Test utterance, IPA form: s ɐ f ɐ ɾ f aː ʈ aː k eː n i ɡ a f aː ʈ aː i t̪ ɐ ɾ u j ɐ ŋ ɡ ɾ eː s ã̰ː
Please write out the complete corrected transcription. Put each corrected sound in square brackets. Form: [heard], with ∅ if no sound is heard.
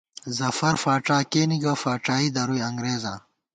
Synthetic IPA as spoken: [z] ɐ f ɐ ɾ f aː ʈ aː k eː n i ɡ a f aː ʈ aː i [d̪] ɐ ɾ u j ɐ ŋ ɡ ɾ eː [z] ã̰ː